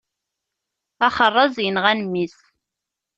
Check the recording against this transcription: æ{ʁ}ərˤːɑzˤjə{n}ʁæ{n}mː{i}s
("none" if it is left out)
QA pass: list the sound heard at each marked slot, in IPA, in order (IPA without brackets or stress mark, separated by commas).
χ, n, n, i